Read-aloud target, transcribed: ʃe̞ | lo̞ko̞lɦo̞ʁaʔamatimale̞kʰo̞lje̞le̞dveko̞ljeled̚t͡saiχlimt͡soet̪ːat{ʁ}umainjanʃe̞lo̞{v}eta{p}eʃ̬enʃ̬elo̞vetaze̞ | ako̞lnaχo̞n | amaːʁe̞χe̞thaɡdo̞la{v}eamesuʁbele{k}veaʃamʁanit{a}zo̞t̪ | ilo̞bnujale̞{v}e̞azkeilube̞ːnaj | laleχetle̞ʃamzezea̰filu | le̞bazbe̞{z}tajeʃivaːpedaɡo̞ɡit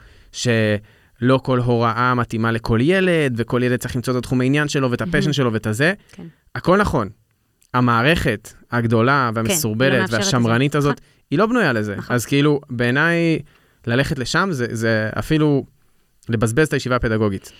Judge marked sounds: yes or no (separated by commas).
no, yes, yes, yes, no, yes, no, yes